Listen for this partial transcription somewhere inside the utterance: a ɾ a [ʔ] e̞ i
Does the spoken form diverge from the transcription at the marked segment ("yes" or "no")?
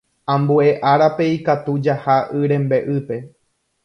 yes